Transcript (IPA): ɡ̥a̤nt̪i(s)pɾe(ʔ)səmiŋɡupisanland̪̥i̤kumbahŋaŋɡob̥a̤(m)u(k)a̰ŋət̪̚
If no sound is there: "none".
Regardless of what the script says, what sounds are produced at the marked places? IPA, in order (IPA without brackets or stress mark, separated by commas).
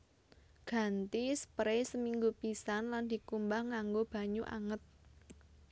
s, none, ɲ, ʔ